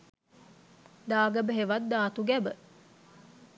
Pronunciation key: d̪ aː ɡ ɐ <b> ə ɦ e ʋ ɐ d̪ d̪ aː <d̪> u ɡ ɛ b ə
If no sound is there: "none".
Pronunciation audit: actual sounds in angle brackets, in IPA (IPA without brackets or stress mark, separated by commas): b, t̪